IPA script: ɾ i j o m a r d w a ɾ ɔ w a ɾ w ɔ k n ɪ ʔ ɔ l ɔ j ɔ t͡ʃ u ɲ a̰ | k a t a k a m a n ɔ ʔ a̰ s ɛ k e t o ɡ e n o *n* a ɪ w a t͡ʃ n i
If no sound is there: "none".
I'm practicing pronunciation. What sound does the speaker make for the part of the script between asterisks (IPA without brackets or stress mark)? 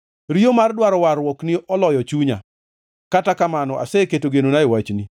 n